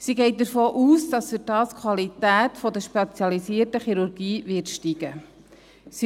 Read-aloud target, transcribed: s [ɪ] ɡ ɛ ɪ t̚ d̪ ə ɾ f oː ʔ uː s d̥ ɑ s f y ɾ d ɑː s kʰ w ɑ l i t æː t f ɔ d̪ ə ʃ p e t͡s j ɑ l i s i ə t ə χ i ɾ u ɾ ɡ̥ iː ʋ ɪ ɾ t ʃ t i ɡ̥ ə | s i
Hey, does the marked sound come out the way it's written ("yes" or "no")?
no